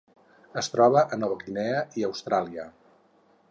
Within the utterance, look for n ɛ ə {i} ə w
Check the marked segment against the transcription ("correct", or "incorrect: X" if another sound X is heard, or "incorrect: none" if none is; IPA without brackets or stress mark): correct